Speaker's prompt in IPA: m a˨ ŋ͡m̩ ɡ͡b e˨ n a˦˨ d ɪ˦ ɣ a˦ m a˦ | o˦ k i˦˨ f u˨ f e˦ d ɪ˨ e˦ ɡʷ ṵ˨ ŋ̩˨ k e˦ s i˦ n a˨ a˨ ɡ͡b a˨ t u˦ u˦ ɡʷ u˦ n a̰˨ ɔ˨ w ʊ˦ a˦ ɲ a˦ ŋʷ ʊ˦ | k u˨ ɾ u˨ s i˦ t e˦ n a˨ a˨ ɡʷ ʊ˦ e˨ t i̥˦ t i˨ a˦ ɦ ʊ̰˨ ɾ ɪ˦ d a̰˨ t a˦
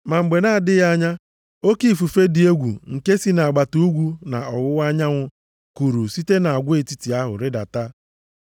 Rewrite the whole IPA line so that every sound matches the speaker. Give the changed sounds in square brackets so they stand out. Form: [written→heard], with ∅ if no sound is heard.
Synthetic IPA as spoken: m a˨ ŋ͡m̩ ɡ͡b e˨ n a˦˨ d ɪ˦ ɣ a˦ [m→ɲ] a˦ | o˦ k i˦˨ f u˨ f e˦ d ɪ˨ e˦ ɡʷ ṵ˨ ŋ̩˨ k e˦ s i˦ n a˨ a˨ ɡ͡b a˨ t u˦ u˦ ɡʷ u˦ n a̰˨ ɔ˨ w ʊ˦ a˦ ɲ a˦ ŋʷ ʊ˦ | k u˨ ɾ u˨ s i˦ t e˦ n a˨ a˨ ɡʷ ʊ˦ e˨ t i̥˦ t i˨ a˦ ɦ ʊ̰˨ ɾ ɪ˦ d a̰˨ t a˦